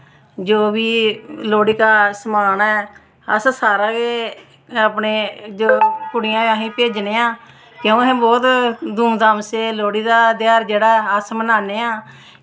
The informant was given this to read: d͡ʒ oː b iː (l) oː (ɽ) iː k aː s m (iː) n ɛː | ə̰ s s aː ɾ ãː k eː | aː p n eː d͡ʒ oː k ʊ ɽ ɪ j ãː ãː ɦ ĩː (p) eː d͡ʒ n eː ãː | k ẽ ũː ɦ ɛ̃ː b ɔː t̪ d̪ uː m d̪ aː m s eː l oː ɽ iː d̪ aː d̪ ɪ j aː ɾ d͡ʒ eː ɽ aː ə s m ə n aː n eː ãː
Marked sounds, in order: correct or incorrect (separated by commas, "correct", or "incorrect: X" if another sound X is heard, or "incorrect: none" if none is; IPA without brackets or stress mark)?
correct, correct, incorrect: aː, correct